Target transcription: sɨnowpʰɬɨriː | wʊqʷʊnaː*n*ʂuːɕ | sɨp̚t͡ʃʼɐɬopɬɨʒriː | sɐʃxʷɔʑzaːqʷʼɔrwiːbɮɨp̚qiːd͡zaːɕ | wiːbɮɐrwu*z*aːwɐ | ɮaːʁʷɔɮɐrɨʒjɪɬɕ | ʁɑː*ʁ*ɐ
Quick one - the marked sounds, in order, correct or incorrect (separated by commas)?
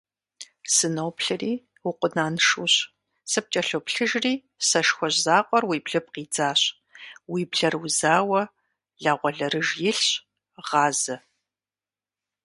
correct, correct, incorrect